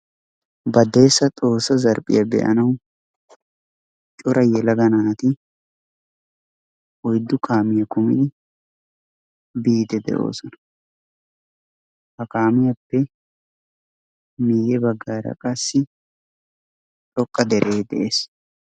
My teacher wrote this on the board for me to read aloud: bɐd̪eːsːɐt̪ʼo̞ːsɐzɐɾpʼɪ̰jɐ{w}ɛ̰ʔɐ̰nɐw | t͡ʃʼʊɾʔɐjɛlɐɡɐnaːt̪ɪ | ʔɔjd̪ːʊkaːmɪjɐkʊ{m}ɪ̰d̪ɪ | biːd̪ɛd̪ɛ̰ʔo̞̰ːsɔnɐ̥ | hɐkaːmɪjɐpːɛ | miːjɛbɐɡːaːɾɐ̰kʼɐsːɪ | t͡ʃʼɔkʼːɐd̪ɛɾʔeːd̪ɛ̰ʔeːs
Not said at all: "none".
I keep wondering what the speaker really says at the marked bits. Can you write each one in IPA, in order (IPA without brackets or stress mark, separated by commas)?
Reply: b, m